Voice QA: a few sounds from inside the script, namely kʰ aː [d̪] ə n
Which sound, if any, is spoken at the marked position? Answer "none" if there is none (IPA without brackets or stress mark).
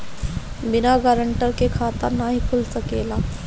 t̪